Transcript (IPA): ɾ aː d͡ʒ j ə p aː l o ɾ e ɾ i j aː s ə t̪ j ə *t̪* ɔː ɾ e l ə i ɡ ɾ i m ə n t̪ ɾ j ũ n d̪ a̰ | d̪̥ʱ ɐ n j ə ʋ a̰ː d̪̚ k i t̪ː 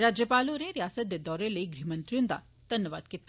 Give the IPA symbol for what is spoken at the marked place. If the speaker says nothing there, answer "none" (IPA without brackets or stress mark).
d̪